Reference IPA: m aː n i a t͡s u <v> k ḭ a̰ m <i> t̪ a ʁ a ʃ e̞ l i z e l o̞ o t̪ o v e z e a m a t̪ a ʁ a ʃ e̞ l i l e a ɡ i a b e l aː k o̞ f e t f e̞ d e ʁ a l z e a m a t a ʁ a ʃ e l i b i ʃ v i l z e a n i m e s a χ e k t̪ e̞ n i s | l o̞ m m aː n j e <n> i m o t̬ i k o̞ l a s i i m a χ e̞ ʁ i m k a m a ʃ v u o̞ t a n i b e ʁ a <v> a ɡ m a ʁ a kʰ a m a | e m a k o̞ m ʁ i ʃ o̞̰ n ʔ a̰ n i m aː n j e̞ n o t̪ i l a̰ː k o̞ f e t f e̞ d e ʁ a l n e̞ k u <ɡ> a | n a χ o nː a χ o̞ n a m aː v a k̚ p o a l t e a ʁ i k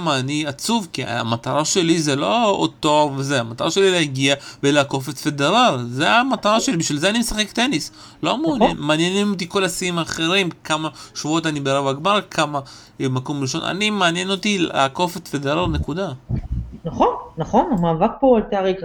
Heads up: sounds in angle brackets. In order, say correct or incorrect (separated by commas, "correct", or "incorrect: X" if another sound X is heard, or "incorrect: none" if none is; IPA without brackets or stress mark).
correct, incorrect: a, correct, correct, incorrect: d